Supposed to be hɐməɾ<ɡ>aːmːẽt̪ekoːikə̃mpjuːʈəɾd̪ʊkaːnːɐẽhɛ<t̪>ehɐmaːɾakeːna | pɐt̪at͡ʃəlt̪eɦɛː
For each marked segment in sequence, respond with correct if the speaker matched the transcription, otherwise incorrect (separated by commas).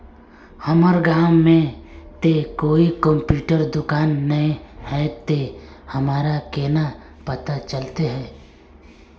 correct, correct